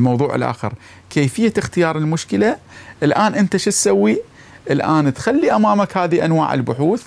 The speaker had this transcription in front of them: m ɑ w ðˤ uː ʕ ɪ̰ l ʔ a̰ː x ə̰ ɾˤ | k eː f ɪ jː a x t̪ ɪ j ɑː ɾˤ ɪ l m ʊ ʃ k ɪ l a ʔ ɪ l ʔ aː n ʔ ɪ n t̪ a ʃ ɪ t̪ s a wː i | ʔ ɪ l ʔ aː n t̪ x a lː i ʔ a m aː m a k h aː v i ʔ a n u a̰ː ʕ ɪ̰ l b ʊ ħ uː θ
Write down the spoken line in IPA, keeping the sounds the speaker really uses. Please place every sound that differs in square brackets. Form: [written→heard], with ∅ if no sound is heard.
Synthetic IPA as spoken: m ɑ w ðˤ uː ʕ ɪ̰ l ʔ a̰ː x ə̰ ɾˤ | k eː f ɪ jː a x t̪ ɪ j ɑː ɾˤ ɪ l m ʊ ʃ k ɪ l a ʔ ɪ l ʔ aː n ʔ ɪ n t̪ a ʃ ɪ t̪ s a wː i | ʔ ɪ l ʔ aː n t̪ x a lː i ʔ a m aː m a k h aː [v→ð] i ʔ a n [u→w] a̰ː ʕ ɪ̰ l b ʊ ħ uː θ